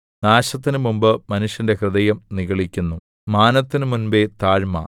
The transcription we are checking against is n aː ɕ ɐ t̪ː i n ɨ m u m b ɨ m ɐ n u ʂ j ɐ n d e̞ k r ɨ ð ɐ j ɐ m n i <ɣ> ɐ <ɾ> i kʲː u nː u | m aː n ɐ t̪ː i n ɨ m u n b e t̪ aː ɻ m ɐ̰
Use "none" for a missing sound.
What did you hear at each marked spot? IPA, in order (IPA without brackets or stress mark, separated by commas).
ɣ, ɭ